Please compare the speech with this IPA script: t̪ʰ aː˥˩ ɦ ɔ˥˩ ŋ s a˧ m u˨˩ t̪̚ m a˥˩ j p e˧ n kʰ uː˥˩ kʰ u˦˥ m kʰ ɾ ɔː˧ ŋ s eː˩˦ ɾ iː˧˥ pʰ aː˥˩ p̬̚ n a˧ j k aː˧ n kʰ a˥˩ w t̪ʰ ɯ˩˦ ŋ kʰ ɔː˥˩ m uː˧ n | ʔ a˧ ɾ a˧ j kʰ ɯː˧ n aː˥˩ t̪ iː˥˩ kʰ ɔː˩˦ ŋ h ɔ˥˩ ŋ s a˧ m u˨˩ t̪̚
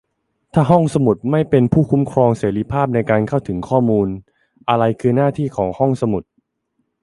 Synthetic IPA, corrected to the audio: t̪ʰ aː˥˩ ɦ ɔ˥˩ ŋ s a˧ m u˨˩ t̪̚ m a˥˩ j p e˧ n pʰ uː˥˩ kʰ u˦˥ m kʰ ɾ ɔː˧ ŋ s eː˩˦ ɾ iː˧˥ pʰ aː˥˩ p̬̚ n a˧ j k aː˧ n kʰ a˥˩ w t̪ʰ ɯ˩˦ ŋ kʰ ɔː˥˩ m uː˧ n | ʔ a˧ ɾ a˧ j kʰ ɯː˧ n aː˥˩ t̪ʰ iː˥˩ kʰ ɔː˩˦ ŋ h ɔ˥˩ ŋ s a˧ m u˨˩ t̪̚